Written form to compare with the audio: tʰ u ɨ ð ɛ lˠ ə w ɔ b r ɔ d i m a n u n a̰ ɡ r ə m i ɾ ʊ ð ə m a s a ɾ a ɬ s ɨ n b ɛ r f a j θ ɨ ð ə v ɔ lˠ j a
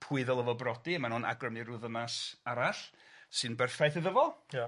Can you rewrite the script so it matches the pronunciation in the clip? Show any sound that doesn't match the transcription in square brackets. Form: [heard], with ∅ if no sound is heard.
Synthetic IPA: [pʰ] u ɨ ð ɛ lˠ ə [v] ɔ b r ɔ d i m a n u n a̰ ɡ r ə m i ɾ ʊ ð ə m a s a ɾ a ɬ s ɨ n b ɛ r f a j θ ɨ ð ə v ɔ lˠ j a